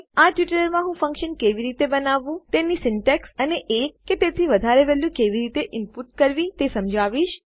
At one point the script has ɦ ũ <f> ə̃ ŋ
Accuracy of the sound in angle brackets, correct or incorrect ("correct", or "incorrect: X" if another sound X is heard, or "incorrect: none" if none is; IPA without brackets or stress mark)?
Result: correct